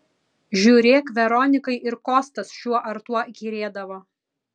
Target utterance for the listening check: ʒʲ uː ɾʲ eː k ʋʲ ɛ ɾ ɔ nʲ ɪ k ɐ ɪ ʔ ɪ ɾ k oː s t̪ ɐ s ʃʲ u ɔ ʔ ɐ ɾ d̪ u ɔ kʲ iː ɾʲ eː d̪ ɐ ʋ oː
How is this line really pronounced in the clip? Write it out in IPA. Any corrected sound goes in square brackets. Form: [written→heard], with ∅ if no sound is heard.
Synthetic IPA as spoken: ʒʲ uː ɾʲ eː k ʋʲ ɛ ɾ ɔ nʲ ɪ k ɐ ɪ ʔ ɪ ɾ k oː s t̪ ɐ s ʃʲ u ɔ ʔ ɐ ɾ [d̪→t̪] u ɔ [kʲ→ɡʲ] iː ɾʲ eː d̪ ɐ ʋ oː